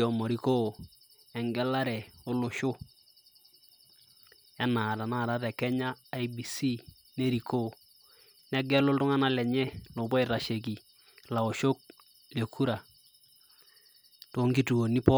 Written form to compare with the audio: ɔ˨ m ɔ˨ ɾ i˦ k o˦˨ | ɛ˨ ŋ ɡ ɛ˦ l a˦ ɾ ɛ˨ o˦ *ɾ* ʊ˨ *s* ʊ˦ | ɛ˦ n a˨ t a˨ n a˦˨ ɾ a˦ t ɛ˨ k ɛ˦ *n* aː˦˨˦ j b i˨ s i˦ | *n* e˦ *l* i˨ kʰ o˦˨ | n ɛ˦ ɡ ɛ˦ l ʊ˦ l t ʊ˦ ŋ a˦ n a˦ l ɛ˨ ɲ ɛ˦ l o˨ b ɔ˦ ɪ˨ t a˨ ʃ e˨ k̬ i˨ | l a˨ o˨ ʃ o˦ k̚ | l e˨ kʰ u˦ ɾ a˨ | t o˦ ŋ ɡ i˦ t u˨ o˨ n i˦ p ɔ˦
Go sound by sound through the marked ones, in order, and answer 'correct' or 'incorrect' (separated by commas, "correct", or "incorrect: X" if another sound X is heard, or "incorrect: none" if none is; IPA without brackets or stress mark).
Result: incorrect: l, incorrect: ʃ, incorrect: ɲ, correct, incorrect: ɾ